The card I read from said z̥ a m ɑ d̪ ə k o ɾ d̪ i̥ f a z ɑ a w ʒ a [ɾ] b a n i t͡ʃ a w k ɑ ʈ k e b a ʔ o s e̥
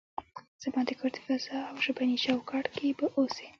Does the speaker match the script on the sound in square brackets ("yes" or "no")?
no